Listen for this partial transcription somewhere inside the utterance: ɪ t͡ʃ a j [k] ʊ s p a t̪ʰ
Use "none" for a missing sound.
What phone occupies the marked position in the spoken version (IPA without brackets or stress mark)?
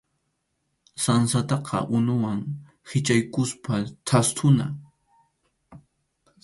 k